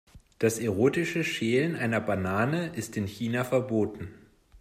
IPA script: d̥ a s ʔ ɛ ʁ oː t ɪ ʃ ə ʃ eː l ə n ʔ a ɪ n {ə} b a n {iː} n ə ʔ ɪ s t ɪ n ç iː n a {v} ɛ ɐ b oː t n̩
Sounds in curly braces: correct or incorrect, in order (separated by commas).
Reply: incorrect, incorrect, incorrect